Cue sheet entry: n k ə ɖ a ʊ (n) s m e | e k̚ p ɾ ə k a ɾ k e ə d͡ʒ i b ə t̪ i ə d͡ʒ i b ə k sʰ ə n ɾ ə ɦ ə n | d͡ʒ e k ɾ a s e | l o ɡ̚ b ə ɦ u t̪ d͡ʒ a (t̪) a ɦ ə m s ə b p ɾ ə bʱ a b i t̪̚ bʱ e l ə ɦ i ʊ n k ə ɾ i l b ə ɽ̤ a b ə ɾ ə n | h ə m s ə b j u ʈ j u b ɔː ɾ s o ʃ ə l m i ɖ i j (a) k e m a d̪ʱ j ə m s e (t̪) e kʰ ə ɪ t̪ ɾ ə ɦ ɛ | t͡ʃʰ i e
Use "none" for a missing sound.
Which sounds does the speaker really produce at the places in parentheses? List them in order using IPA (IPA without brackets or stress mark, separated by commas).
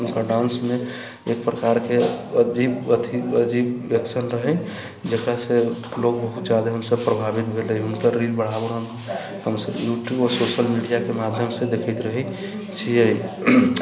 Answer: n, d̪, a, d̪